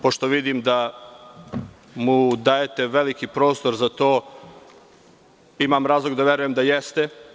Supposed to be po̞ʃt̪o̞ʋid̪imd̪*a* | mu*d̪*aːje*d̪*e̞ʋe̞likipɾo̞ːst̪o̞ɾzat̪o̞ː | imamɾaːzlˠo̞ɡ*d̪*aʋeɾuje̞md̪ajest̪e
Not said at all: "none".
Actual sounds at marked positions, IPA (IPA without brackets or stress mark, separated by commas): a, d̪, t̪, d̪